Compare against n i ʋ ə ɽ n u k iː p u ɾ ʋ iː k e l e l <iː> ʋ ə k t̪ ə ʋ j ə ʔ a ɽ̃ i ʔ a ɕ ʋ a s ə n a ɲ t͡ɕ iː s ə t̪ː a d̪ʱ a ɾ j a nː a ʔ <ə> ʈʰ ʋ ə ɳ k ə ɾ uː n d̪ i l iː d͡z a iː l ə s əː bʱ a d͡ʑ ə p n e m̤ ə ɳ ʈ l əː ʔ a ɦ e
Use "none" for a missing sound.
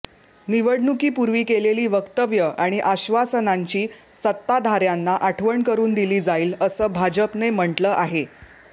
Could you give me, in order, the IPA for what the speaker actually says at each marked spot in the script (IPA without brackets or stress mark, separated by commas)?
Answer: iː, a